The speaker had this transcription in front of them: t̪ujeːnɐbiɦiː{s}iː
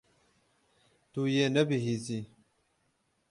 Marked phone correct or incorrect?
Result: incorrect